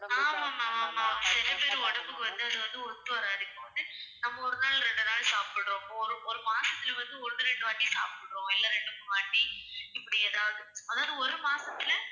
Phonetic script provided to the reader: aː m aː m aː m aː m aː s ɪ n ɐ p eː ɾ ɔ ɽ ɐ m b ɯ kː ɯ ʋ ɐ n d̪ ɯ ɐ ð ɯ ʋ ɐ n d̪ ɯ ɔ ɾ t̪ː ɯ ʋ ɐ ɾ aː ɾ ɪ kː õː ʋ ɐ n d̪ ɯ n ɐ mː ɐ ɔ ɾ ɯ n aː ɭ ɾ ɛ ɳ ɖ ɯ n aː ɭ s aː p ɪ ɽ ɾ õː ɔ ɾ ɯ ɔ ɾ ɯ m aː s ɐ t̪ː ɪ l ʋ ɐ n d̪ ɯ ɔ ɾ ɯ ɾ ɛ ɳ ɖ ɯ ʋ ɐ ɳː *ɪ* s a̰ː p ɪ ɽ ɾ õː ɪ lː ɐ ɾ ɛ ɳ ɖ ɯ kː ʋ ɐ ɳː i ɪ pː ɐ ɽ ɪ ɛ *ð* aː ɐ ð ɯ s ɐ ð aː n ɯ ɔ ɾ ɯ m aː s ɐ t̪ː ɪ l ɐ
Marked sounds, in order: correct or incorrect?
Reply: incorrect, correct

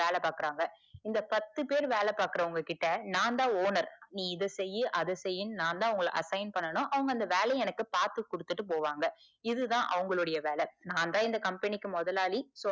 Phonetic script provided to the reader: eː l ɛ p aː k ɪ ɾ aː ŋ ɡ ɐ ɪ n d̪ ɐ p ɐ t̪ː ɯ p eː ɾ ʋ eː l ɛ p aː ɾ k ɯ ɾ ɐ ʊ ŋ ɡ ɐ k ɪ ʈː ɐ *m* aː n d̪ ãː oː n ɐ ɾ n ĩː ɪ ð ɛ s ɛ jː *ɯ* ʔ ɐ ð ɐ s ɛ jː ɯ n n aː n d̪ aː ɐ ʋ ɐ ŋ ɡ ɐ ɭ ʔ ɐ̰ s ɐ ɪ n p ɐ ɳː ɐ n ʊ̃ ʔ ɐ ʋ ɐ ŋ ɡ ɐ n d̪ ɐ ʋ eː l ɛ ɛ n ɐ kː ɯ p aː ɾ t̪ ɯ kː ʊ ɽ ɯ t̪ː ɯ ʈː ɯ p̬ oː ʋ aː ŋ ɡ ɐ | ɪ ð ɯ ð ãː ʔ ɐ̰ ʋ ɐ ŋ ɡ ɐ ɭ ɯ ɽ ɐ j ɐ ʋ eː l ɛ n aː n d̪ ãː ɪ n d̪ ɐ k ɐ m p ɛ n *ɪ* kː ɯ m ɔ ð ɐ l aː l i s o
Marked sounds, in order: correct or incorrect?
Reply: incorrect, correct, correct

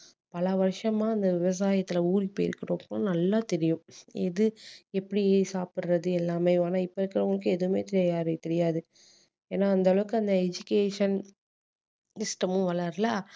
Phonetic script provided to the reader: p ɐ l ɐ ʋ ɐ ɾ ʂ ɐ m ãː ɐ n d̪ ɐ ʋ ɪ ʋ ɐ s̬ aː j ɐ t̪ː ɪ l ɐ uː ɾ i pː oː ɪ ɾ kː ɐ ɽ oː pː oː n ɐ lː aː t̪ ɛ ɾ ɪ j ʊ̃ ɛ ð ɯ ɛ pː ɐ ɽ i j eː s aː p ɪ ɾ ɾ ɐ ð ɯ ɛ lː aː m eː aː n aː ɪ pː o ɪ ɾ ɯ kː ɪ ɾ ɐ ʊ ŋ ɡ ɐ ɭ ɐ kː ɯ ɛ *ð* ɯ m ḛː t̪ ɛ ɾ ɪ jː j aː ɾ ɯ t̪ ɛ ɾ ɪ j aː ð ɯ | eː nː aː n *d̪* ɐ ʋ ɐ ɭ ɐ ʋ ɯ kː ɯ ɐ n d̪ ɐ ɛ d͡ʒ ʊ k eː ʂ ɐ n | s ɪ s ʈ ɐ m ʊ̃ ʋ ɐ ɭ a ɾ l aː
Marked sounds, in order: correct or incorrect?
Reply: correct, correct

